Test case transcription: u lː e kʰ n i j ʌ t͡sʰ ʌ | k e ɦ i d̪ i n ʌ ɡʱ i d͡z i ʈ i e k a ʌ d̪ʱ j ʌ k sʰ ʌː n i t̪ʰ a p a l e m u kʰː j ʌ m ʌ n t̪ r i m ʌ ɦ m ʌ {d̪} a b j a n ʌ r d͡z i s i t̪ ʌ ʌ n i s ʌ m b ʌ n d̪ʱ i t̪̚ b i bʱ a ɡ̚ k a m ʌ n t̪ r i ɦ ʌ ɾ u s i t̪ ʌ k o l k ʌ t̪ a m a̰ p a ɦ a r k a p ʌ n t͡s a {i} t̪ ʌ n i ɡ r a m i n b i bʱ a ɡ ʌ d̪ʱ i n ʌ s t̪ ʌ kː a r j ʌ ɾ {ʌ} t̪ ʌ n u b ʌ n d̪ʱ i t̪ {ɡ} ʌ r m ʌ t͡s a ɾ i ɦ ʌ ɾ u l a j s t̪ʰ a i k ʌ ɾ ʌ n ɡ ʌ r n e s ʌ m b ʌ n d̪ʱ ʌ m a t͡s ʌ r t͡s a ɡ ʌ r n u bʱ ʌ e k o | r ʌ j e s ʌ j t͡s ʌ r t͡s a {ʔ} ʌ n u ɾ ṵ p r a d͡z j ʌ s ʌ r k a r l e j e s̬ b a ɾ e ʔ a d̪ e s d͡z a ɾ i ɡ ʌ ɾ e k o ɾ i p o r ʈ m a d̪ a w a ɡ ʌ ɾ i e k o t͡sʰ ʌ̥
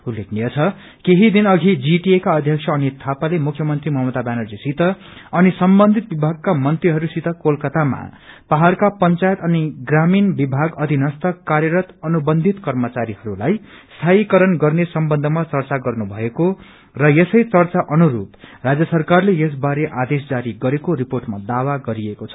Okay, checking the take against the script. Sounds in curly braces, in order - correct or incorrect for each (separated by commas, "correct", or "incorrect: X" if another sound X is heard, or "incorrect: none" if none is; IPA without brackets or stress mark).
incorrect: t̪, incorrect: j, correct, incorrect: k, correct